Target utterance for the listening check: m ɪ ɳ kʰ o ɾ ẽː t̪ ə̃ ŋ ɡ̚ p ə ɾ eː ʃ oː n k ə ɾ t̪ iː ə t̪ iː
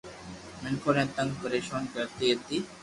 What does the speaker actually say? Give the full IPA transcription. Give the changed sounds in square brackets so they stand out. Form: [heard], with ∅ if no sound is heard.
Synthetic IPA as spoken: m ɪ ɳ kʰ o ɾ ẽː t̪ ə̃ ŋ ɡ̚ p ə ɾ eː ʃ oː n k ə ɾ t̪ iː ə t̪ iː